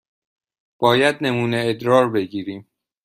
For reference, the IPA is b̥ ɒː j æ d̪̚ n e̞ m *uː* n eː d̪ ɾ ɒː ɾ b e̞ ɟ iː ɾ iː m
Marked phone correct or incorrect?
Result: correct